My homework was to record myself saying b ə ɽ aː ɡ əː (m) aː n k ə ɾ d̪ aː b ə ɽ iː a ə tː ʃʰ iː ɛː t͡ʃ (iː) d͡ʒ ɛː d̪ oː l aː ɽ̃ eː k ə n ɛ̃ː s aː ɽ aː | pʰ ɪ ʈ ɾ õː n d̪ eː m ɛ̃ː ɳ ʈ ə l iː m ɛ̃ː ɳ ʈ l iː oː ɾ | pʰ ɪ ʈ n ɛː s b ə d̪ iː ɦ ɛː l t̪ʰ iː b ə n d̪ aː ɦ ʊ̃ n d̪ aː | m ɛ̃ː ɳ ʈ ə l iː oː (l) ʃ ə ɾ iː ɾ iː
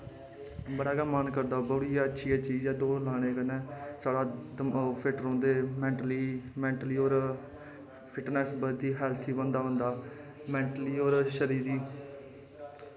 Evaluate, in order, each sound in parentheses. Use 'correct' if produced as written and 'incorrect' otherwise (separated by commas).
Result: correct, correct, incorrect